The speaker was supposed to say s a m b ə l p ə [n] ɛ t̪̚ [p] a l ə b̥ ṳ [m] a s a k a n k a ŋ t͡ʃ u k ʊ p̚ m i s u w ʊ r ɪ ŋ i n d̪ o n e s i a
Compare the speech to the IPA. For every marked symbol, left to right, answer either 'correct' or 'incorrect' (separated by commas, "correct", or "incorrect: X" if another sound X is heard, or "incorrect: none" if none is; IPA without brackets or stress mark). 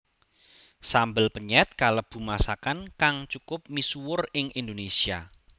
incorrect: ɲ, incorrect: k, correct